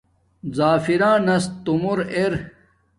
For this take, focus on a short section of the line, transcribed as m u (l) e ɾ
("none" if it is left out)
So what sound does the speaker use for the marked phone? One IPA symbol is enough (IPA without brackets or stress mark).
ɾ